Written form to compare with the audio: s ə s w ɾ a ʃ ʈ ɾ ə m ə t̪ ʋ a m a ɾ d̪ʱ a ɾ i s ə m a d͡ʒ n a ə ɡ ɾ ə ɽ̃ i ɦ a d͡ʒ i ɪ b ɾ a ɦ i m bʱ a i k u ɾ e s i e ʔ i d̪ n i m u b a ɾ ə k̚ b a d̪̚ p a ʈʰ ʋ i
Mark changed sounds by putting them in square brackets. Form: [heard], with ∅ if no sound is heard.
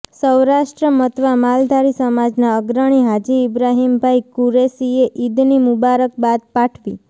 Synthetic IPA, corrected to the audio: s ə [∅] w ɾ a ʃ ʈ ɾ ə m ə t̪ ʋ a m a [l] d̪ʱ a ɾ i s ə m a d͡ʒ n a ə ɡ ɾ ə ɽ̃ i ɦ a d͡ʒ i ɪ b ɾ a ɦ i m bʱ a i k u ɾ e s i e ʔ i d̪ n i m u b a ɾ ə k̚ b a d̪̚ p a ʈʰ ʋ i